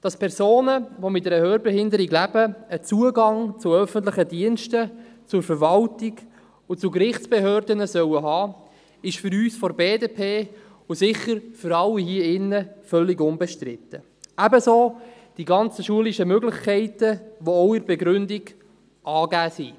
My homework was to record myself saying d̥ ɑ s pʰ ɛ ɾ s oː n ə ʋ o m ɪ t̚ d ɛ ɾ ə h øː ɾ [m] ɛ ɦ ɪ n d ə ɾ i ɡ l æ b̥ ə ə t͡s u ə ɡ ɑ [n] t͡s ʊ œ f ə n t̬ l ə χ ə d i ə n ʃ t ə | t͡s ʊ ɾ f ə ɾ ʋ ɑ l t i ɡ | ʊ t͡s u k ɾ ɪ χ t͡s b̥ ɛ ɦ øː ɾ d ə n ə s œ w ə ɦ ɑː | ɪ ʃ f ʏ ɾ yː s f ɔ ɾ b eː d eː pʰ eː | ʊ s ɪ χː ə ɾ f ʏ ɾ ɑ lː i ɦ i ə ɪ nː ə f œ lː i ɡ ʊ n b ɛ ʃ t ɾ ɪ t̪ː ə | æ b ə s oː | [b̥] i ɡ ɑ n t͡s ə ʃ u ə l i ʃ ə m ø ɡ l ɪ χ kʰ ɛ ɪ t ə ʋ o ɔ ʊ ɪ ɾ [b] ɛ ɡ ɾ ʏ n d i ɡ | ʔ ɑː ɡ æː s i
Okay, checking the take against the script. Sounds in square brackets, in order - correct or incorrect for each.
incorrect, incorrect, incorrect, correct

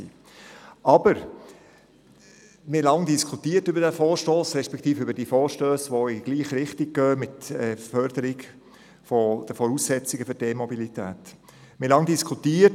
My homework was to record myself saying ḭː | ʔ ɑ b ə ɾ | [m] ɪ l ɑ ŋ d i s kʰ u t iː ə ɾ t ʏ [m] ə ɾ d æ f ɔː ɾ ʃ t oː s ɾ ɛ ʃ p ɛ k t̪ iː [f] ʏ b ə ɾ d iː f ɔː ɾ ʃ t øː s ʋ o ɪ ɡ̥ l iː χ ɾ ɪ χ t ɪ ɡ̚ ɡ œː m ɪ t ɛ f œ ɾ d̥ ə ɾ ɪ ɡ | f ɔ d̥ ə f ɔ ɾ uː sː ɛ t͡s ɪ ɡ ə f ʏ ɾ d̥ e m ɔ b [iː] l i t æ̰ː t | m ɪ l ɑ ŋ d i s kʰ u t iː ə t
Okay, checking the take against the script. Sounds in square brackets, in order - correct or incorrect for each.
correct, incorrect, correct, incorrect

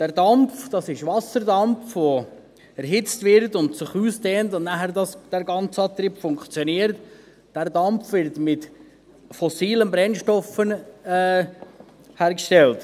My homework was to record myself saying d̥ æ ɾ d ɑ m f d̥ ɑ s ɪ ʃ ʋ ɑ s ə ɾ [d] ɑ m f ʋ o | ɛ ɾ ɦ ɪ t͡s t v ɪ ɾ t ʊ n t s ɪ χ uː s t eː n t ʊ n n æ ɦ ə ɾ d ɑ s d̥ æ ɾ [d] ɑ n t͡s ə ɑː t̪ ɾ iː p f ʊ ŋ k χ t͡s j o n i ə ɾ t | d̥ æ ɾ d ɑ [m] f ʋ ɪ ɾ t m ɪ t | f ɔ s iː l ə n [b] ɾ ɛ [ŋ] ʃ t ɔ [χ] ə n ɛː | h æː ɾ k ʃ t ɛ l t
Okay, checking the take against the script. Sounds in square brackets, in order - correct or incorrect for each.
correct, incorrect, correct, correct, incorrect, incorrect

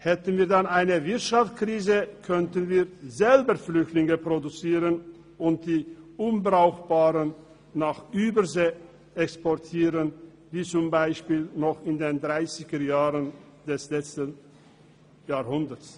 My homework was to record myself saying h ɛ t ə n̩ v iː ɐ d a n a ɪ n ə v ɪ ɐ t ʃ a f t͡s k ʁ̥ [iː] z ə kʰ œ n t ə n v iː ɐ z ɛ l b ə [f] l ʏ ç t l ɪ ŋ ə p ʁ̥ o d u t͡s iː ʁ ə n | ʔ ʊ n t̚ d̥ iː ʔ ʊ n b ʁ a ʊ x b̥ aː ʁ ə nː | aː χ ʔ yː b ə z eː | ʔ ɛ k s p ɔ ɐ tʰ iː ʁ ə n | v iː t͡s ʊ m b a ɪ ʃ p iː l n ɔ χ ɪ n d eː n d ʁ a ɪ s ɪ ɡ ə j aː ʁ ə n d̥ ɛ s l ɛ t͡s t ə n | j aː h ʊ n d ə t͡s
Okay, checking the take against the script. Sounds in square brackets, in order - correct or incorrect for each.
correct, correct

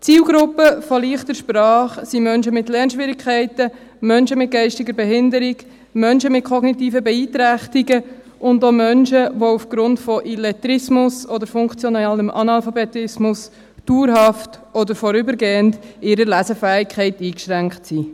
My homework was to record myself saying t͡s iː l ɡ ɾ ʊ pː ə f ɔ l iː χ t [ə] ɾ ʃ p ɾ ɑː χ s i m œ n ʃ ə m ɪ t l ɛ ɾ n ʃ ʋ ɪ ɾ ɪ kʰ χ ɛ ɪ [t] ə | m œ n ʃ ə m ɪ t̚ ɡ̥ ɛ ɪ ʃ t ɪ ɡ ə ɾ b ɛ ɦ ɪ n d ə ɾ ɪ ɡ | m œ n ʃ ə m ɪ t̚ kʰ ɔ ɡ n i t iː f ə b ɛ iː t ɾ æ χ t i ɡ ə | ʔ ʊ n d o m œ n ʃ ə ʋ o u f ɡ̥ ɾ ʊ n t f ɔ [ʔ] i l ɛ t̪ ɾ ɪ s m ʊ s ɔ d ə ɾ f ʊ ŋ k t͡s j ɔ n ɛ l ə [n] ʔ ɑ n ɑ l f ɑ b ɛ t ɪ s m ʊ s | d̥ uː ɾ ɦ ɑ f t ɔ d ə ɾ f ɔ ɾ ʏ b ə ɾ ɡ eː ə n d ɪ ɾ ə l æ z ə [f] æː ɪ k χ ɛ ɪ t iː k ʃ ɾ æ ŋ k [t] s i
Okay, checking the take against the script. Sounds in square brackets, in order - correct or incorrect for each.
correct, correct, correct, incorrect, correct, correct

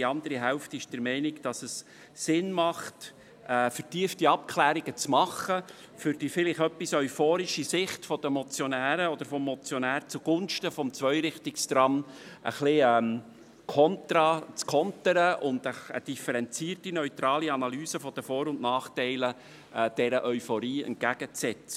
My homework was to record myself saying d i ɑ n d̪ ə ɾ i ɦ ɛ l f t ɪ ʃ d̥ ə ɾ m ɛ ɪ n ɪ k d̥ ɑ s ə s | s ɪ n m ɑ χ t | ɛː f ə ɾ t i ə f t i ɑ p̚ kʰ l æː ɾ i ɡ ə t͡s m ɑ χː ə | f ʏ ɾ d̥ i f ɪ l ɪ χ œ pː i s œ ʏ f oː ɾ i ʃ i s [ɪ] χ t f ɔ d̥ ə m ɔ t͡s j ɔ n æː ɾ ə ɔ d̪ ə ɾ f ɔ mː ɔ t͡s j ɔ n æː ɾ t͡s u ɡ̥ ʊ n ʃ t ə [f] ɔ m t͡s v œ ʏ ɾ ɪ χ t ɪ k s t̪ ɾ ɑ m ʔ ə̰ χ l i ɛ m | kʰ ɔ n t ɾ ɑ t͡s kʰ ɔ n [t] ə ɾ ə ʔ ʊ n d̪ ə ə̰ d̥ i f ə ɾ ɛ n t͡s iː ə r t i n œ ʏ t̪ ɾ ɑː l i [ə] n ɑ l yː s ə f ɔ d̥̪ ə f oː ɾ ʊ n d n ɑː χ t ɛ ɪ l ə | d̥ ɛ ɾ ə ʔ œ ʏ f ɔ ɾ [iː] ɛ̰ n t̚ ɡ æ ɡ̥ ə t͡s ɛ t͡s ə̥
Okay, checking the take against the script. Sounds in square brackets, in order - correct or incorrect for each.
correct, correct, correct, incorrect, correct

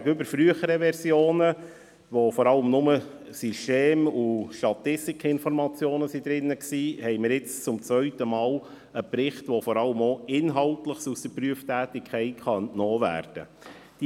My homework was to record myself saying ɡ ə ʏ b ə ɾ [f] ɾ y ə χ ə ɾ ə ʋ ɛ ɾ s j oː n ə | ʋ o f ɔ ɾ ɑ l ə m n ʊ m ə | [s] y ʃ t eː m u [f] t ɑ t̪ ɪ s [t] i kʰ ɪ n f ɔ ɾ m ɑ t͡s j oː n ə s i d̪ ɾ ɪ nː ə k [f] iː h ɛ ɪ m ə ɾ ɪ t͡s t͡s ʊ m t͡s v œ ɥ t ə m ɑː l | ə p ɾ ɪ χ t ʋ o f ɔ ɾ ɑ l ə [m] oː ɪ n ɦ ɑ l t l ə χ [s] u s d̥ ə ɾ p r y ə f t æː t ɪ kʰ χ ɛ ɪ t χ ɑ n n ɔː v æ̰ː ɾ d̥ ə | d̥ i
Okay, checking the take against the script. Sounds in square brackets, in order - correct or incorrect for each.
correct, correct, incorrect, correct, incorrect, correct, correct

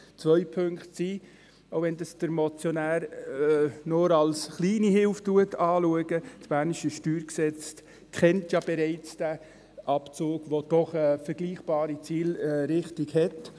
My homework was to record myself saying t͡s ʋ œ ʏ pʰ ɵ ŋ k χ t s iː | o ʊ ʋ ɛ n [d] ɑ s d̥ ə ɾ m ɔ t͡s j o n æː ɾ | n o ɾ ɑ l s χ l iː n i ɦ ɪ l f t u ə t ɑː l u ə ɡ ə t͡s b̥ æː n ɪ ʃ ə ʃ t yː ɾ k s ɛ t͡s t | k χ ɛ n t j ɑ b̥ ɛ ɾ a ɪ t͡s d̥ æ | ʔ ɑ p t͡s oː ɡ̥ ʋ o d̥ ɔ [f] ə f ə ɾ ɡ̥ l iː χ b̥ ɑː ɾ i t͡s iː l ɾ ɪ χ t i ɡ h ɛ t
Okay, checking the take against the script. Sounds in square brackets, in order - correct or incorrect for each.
correct, incorrect

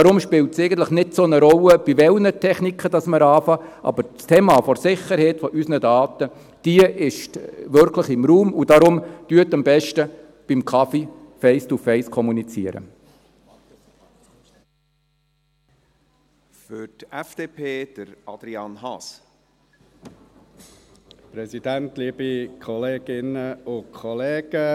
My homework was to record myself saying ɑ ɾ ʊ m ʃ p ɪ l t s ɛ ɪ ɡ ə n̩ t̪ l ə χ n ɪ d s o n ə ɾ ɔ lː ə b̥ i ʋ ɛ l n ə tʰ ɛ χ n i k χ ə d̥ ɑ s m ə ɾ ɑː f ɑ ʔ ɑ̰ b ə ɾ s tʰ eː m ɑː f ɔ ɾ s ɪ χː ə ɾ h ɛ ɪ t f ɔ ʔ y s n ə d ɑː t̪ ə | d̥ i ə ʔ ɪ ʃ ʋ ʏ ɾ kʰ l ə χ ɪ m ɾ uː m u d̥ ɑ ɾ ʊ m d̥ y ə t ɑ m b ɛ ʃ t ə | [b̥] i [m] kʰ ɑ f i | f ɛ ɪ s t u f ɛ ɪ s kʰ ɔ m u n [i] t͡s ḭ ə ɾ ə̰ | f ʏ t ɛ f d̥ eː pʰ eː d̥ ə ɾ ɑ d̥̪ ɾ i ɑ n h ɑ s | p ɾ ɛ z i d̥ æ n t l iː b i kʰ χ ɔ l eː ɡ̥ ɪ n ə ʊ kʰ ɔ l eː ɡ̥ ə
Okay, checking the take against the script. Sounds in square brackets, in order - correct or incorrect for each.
correct, correct, correct

